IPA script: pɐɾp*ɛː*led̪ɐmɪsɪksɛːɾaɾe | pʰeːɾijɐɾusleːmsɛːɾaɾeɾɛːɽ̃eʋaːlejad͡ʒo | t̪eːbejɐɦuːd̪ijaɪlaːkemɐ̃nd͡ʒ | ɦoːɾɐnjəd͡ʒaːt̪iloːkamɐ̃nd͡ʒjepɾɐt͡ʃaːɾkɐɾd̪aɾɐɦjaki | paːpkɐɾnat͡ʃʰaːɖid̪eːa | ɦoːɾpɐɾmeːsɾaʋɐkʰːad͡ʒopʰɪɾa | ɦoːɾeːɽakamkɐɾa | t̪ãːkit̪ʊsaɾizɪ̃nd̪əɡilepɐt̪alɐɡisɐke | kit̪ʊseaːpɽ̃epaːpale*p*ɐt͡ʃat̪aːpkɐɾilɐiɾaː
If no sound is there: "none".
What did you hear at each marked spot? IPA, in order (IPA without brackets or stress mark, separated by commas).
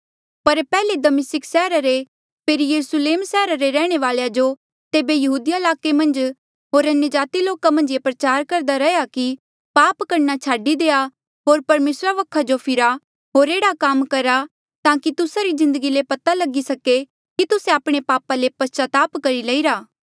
ɛː, p